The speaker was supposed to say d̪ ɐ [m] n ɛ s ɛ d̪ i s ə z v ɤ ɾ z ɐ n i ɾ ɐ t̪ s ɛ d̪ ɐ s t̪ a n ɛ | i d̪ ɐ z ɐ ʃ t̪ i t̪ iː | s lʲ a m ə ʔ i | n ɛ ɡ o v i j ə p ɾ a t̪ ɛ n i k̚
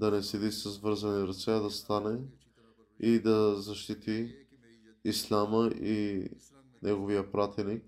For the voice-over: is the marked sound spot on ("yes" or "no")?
no